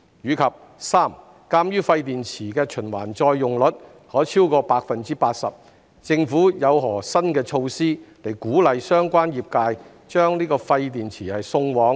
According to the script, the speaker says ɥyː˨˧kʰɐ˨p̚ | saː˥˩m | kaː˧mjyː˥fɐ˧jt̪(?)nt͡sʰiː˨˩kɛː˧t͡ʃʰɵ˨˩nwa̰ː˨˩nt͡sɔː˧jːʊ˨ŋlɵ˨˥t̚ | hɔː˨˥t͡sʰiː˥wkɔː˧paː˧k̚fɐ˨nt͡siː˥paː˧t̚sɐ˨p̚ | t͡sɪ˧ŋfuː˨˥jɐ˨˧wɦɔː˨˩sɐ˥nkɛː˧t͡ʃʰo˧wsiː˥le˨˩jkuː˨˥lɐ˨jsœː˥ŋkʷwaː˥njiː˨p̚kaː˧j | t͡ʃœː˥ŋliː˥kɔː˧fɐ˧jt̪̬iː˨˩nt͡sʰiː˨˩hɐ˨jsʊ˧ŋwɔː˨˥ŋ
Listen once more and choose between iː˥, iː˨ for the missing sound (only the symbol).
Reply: iː˨